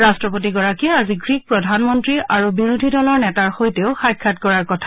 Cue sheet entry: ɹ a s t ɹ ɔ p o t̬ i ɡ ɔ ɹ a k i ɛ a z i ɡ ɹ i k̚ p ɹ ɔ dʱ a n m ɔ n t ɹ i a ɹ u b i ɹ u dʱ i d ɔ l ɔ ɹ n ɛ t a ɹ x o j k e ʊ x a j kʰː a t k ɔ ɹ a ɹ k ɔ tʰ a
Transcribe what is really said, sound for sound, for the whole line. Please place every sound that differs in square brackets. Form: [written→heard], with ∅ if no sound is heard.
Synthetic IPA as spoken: ɹ a s t ɹ ɔ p o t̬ i ɡ ɔ ɹ a k i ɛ a z i ɡ ɹ i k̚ p ɹ ɔ dʱ a n m ɔ n t ɹ i a ɹ u b i ɹ u dʱ i d ɔ l ɔ ɹ n ɛ t a ɹ x o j [k→t] e ʊ x a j kʰː a t k ɔ ɹ a ɹ k ɔ tʰ a